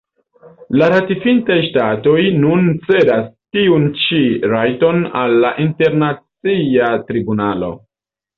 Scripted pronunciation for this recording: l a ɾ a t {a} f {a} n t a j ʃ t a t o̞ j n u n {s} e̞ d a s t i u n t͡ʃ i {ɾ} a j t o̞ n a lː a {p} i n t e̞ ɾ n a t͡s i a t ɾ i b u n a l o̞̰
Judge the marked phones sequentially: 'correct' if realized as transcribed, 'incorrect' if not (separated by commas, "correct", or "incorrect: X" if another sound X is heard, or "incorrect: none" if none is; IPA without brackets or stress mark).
incorrect: i, incorrect: i, incorrect: t͡s, correct, incorrect: ʔ